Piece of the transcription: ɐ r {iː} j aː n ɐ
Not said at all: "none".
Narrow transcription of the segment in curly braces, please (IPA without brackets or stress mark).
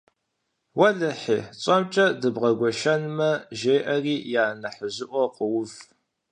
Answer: iː